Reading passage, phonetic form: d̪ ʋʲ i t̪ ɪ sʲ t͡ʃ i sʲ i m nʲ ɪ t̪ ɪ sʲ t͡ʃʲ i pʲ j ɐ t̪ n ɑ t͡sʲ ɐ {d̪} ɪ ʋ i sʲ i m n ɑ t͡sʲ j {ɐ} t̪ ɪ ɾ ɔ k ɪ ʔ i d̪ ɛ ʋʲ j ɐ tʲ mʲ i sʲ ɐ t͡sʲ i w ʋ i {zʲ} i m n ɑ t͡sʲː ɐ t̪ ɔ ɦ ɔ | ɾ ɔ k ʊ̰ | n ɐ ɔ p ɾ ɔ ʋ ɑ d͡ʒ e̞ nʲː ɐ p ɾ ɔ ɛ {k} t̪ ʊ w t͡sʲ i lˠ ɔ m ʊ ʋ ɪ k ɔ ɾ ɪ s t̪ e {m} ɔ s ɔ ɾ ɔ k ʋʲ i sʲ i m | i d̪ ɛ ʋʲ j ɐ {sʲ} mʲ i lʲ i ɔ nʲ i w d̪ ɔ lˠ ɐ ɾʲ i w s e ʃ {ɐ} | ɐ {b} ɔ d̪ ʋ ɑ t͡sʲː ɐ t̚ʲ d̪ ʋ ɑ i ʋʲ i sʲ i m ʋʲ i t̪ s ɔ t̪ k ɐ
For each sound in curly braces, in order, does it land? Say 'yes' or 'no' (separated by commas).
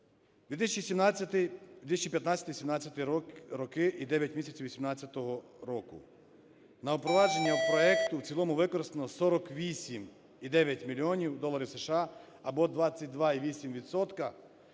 no, yes, no, yes, no, no, no, yes